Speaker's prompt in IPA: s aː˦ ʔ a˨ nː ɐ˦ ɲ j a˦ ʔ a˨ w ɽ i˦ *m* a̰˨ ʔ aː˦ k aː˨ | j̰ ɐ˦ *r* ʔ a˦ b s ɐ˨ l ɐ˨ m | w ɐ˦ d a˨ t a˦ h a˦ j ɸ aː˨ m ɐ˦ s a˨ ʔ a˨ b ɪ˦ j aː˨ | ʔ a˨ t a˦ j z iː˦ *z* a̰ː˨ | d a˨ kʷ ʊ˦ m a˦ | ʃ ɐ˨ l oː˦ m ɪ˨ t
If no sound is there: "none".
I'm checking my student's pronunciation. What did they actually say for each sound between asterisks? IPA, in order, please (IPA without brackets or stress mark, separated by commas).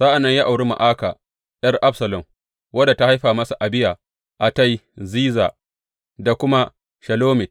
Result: m, r, z